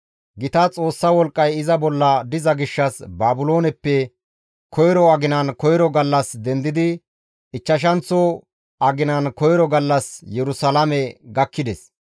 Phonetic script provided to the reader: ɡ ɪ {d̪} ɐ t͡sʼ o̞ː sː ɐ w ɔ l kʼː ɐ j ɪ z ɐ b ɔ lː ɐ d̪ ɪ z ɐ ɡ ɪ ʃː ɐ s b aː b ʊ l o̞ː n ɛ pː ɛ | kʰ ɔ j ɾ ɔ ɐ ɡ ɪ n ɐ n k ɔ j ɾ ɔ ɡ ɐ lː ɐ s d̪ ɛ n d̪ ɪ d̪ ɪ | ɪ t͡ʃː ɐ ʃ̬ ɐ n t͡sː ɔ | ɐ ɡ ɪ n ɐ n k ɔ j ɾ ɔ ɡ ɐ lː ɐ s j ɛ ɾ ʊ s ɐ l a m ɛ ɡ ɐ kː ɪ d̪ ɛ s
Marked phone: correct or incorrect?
incorrect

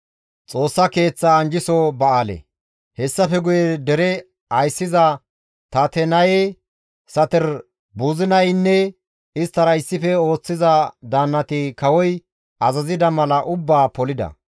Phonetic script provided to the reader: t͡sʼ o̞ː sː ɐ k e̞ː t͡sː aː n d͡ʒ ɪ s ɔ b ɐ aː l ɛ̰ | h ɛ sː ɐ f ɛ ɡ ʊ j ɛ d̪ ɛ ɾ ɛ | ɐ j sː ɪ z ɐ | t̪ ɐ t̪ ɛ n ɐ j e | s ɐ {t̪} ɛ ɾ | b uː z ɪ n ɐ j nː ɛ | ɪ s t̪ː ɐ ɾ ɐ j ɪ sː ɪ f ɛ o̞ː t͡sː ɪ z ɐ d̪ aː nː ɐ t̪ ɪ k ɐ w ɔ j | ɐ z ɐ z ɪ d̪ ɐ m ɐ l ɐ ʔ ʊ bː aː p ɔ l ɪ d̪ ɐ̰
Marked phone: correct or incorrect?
correct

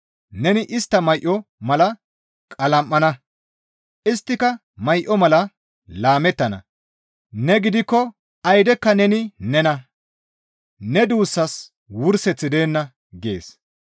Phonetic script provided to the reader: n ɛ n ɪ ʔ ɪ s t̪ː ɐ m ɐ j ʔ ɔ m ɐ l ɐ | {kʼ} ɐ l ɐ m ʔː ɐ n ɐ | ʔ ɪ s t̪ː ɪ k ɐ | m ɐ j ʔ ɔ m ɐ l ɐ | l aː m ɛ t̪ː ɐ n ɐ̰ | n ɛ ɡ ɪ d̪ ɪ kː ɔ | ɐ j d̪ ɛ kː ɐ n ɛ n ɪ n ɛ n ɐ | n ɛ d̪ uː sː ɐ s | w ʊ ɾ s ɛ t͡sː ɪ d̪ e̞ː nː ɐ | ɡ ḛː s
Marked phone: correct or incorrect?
correct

